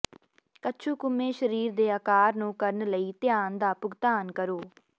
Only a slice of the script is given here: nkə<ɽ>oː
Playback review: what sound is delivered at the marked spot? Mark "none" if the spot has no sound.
ɾ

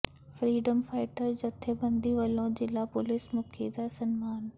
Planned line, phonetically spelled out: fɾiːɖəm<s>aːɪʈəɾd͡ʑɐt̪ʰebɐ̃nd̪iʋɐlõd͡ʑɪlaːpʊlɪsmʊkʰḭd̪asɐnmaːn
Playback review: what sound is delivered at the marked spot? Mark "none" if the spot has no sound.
f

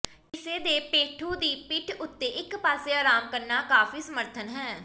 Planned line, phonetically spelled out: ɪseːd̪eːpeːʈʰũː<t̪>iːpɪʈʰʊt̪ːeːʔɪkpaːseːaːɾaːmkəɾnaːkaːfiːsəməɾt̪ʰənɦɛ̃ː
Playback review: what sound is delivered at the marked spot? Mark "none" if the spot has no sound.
d̪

